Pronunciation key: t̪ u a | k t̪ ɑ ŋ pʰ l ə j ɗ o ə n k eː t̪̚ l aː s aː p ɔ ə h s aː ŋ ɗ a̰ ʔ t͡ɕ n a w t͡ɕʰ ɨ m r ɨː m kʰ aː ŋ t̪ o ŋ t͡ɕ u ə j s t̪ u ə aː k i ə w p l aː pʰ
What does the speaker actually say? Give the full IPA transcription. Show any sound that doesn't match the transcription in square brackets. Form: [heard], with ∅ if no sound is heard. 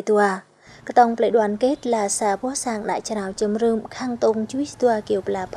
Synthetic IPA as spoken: t̪ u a | k t̪ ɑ ŋ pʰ l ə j ɗ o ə n k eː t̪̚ l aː s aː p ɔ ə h s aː ŋ ɗ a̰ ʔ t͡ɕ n a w [t͡ɕ] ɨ m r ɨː m kʰ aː ŋ t̪ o ŋ t͡ɕ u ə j s t̪ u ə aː k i ə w p l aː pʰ